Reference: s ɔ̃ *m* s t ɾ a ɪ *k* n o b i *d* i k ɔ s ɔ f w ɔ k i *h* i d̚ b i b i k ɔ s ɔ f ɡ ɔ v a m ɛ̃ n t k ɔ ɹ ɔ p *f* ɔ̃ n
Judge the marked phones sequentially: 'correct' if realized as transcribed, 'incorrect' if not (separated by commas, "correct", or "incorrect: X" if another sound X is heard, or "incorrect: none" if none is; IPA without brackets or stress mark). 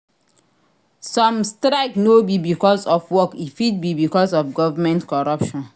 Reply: correct, correct, incorrect: b, incorrect: f, incorrect: ʃ